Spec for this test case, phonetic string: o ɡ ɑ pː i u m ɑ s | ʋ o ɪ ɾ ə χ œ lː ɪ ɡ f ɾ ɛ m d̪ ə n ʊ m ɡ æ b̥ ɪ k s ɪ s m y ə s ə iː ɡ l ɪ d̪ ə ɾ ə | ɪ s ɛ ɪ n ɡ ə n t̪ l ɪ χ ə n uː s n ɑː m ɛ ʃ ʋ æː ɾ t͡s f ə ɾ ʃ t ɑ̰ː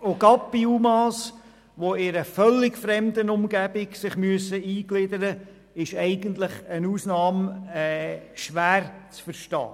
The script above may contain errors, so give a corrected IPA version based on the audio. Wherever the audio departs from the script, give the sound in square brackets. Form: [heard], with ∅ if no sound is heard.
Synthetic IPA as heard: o ɡ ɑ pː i u m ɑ s | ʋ o ɪ ɾ ə [f] œ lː ɪ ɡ f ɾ ɛ m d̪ ə n ʊ m ɡ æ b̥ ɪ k s ɪ [χ] m y ə s ə iː ɡ l ɪ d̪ ə ɾ ə | ɪ [ʃ] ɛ ɪ [∅] ɡ ə n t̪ l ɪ χ ə n uː s n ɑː m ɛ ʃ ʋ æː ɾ t͡s f ə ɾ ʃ t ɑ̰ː